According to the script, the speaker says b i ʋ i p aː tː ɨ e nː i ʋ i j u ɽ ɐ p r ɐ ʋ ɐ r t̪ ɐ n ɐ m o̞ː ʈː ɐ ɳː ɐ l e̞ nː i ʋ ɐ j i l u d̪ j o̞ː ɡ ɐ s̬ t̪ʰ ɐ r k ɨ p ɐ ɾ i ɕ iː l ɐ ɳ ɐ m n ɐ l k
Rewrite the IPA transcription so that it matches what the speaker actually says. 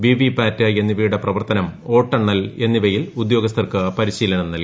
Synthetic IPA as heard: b i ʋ i p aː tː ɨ e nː i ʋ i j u ɽ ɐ p r ɐ ʋ ɐ r t̪ ɐ n ɐ m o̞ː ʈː ɐ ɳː ɐ l e̞ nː i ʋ ɐ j i l u d̪ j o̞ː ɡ ɐ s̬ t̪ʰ ɐ r k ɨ p ɐ ɾ i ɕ iː l ɐ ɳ ɐ m n ɐ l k